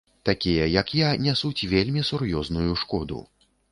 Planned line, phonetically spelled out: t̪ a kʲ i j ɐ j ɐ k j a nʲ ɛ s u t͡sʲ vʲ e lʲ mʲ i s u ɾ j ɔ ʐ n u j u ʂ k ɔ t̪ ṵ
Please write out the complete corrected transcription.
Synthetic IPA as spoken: t̪ a kʲ i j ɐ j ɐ k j a nʲ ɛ s u t͡sʲ vʲ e lʲ mʲ i s u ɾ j ɔ z n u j u ʂ k ɔ d̪ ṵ